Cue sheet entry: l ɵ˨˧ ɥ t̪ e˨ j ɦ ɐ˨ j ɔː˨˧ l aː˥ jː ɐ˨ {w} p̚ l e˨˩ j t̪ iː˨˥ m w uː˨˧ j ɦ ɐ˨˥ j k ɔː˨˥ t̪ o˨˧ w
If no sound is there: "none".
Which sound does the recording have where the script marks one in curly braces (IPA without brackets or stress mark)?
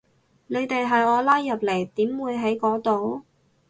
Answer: none